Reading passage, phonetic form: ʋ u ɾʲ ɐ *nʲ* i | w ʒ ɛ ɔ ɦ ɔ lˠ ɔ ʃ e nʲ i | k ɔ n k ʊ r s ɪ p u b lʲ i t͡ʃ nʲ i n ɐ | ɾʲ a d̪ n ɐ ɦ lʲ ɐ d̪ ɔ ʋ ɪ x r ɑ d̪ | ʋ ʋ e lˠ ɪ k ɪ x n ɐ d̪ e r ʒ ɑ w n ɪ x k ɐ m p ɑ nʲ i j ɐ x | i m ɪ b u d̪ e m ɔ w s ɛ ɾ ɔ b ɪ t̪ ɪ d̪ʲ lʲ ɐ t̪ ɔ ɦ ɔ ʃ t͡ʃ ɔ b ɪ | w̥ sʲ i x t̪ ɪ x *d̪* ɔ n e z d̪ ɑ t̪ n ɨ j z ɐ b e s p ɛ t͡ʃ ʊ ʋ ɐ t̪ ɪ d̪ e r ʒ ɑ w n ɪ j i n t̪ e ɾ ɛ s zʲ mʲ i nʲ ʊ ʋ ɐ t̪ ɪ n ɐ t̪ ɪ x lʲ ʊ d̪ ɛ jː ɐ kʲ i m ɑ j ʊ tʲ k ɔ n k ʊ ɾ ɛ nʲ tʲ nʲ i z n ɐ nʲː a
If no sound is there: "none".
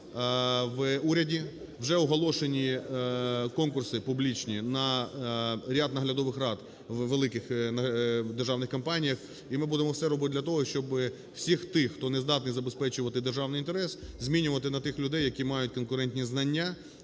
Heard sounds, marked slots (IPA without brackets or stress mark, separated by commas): dʲ, t̪